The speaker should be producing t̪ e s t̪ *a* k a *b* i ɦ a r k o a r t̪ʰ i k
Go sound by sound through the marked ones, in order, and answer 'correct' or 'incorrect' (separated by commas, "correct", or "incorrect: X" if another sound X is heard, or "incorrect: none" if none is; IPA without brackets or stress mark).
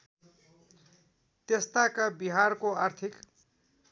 correct, correct